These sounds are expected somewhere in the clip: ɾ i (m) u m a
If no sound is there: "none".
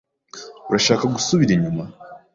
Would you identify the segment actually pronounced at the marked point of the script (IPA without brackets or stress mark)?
ɲ